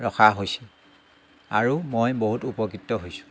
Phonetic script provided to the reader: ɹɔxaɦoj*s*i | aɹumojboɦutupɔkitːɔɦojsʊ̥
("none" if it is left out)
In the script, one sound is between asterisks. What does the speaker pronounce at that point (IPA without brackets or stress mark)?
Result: s